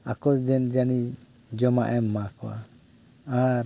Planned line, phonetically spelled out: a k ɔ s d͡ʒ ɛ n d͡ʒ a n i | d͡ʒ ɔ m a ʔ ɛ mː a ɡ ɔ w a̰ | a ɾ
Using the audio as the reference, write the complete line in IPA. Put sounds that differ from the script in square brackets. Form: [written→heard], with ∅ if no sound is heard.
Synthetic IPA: a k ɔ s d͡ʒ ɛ n d͡ʒ a n i | d͡ʒ ɔ m a ʔ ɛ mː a [ɡ→k] ɔ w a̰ | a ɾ